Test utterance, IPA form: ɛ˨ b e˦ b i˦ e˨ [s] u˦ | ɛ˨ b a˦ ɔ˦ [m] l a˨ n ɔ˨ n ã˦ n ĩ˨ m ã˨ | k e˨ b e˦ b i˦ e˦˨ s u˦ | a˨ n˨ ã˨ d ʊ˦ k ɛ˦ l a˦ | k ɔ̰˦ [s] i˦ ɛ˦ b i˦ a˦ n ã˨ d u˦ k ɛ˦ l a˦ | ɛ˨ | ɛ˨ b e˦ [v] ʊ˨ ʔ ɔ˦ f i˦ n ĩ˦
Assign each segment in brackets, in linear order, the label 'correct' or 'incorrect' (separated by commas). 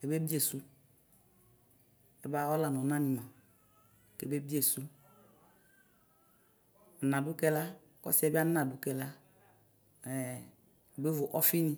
correct, incorrect, correct, correct